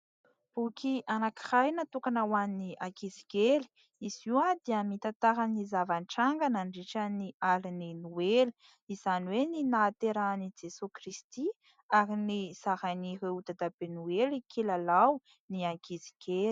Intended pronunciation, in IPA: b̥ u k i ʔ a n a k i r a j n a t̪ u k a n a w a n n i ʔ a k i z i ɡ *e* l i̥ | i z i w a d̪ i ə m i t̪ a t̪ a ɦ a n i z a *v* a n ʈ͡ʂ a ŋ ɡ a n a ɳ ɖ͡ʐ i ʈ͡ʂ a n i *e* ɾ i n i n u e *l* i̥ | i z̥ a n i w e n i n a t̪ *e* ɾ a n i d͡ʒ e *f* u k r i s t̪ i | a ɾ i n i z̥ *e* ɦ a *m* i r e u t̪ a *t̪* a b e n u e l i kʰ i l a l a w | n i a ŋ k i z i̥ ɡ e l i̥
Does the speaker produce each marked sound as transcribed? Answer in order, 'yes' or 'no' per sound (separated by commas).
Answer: yes, yes, no, yes, yes, no, no, no, no